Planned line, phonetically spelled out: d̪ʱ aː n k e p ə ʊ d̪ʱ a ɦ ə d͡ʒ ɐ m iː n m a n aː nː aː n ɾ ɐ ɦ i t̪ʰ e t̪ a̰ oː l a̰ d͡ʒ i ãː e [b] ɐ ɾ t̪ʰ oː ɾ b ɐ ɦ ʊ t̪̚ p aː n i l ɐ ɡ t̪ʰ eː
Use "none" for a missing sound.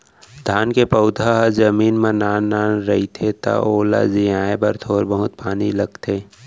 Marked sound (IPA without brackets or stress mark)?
b